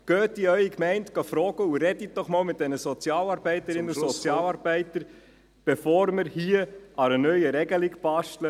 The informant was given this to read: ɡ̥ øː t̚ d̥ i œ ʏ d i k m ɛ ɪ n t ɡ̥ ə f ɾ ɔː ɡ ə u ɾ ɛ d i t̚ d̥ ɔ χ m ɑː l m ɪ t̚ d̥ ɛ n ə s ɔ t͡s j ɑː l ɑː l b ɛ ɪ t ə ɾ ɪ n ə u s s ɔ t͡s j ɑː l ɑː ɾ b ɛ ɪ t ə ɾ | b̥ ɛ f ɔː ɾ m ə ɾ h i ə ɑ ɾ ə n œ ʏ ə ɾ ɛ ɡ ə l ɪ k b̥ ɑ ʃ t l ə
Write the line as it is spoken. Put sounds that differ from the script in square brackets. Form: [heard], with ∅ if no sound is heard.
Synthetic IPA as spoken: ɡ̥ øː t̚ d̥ i œ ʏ [∅] i k m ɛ ɪ n t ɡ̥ [ɑ] f ɾ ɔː ɡ ə u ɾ ɛ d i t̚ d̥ ɔ χ m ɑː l m ɪ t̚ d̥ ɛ n ə s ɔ t͡s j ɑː l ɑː [ɾ] b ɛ ɪ t ə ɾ ɪ n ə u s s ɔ t͡s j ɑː l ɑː ɾ b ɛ ɪ t ə ɾ | b̥ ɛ f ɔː ɾ m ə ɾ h i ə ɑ ɾ ə n œ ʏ ə ɾ ɛ ɡ ə l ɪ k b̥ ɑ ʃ t l ə